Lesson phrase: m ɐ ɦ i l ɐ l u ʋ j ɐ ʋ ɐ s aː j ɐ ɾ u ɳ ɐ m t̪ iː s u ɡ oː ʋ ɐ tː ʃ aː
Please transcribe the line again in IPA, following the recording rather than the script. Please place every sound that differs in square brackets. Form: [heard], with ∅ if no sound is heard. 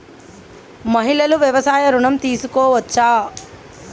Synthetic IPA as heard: m ɐ ɦ i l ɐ l u ʋ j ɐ ʋ ɐ s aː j ɐ ɾ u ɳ ɐ m t̪ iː s u [k] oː ʋ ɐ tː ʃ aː